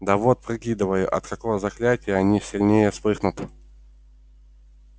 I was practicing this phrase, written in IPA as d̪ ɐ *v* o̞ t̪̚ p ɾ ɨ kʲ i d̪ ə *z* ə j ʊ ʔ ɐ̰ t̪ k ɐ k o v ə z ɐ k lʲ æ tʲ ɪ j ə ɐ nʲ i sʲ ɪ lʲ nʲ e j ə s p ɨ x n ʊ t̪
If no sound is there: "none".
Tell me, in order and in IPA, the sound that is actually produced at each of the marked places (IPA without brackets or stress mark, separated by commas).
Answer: v, v